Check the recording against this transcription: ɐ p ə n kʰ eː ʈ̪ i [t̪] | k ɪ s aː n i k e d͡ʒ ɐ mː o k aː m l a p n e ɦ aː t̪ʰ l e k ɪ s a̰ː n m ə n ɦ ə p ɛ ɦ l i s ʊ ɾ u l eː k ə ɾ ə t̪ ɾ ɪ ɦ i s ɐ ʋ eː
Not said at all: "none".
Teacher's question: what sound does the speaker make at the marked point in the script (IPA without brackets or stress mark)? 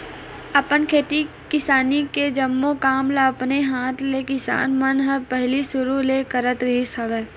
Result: none